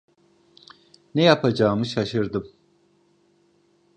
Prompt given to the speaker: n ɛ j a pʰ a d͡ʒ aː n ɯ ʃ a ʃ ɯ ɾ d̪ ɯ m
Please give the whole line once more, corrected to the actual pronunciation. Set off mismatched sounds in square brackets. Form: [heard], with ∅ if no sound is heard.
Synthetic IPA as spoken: n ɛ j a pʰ a d͡ʒ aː [m] ɯ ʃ a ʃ ɯ ɾ d̪ ɯ m